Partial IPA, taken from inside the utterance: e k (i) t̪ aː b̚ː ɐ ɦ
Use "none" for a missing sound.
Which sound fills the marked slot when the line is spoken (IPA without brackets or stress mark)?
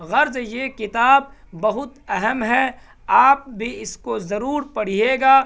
ɪ